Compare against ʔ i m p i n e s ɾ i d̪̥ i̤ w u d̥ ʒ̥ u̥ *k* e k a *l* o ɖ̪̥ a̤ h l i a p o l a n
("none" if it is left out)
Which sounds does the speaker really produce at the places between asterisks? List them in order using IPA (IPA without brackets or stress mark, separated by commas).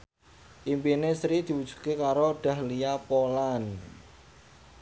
k, ɾ